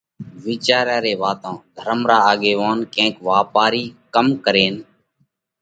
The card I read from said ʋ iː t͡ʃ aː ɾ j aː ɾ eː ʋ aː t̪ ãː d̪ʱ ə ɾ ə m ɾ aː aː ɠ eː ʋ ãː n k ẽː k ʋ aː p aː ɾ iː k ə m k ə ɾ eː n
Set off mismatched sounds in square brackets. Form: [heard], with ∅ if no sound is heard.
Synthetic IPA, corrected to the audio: ʋ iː t͡ʃ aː ɾ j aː ɾ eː ʋ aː t̪ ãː d̪ʱ ə ɾ ə m ɾ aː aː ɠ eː ʋ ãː n k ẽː k ʋ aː p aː ɾ iː k ə m k ə ɾ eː n